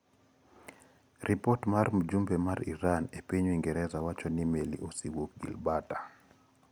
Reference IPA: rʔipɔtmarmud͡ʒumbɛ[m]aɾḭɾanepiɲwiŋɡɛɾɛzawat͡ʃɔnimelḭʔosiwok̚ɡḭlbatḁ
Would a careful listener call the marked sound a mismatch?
no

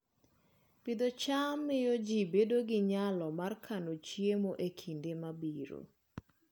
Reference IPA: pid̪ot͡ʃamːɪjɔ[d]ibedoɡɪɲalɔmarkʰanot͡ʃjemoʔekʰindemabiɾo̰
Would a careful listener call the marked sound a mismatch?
yes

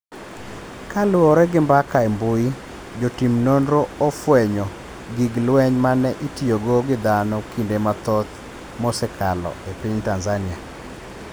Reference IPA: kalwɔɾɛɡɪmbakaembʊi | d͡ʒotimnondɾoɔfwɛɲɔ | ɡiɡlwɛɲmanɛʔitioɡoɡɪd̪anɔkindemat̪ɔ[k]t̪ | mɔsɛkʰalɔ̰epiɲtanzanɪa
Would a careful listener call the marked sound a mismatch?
yes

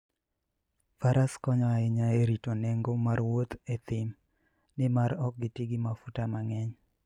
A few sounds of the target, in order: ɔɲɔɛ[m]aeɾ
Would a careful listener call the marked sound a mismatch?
yes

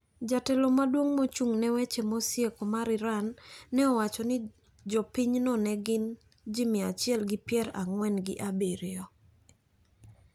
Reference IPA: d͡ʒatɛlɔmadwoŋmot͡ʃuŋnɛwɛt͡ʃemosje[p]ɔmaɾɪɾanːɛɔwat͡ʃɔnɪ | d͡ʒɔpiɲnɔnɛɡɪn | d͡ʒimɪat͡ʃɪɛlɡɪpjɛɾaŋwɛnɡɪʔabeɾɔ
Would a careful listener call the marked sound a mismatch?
yes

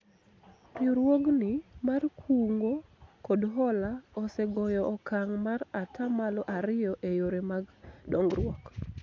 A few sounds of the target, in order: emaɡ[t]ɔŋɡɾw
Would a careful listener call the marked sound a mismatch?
yes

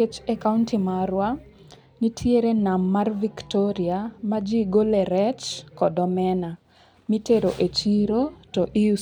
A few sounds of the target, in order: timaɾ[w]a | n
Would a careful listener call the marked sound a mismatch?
no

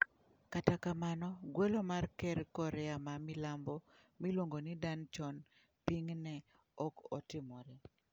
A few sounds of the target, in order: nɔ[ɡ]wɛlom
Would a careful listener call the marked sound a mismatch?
no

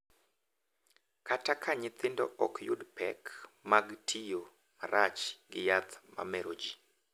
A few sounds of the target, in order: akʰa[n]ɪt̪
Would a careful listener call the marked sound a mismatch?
yes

